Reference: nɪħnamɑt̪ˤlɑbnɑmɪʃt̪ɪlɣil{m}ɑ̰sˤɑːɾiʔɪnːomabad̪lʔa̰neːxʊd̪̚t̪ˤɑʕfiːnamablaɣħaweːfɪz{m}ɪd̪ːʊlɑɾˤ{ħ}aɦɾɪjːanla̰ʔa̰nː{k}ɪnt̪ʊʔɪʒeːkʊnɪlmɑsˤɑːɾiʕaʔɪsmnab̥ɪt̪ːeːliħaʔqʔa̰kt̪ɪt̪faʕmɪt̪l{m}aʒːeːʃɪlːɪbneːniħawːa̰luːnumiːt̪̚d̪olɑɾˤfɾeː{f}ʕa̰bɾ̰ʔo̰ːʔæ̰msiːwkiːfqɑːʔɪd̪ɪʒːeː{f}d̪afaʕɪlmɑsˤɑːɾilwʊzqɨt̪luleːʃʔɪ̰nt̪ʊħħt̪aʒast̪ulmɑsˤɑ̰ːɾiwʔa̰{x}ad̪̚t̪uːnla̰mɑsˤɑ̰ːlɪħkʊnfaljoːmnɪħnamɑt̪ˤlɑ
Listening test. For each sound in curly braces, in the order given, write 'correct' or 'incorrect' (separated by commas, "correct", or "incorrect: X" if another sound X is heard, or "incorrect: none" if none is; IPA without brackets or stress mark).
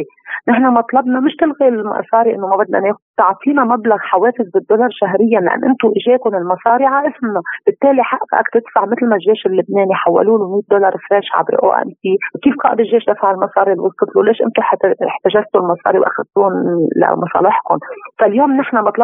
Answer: correct, incorrect: b, incorrect: ʃ, incorrect: ʔ, correct, incorrect: ʃ, incorrect: ʃ, correct